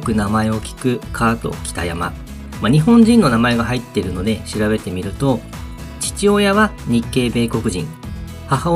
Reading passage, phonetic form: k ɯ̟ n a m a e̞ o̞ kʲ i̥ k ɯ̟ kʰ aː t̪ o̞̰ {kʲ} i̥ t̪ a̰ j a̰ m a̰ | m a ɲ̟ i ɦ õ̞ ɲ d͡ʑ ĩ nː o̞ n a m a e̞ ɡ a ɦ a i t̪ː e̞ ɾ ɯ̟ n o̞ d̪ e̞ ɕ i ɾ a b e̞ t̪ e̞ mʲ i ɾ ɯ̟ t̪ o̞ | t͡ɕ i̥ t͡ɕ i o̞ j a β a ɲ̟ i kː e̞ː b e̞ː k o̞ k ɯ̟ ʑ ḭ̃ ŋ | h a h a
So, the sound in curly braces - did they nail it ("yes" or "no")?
yes